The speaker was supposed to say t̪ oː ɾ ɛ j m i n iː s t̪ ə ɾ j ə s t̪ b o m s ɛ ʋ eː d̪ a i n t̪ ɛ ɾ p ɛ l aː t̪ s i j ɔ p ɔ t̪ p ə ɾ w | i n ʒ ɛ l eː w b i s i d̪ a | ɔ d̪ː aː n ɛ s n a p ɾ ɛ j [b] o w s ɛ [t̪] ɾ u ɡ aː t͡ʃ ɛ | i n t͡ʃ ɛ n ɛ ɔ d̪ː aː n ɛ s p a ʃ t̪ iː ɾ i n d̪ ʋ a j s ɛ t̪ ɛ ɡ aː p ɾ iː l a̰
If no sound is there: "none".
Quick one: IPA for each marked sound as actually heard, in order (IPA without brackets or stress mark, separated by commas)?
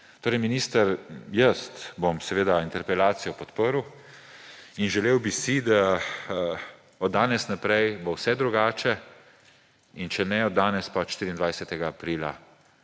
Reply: b, d̪